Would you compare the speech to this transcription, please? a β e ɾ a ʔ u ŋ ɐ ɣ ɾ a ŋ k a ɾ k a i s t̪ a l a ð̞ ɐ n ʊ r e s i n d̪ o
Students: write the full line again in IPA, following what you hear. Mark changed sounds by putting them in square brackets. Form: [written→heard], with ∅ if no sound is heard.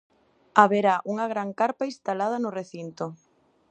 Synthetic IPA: a β e ɾ a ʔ u ŋ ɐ ɣ ɾ a ŋ k a ɾ [k→p] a i s t̪ a l a ð̞ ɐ n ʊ r e [s→θ] i n [d̪→t̪] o